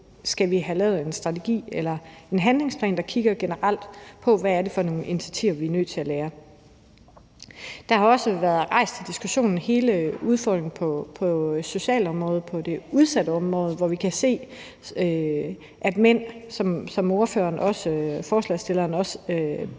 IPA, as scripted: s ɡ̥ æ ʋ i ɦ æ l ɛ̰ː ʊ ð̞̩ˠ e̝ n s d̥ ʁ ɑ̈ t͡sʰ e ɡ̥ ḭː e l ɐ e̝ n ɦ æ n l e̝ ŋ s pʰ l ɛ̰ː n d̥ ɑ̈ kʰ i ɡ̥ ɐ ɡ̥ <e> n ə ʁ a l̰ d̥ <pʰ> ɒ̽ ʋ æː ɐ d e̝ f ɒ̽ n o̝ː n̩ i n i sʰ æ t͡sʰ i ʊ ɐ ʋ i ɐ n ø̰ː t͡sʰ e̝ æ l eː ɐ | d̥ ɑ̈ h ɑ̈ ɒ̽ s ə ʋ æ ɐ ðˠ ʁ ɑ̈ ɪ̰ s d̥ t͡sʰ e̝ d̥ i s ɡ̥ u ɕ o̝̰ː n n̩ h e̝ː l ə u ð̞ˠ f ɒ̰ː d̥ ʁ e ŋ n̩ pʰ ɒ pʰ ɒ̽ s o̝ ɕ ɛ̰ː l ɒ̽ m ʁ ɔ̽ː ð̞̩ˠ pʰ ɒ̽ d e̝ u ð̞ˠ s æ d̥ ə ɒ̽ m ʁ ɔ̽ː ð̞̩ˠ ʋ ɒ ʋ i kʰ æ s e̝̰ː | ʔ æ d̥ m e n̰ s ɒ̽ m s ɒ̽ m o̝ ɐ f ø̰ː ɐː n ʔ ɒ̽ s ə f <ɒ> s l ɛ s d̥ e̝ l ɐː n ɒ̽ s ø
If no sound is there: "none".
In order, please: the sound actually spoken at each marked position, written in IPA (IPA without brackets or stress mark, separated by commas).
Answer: e, pʰ, ɒː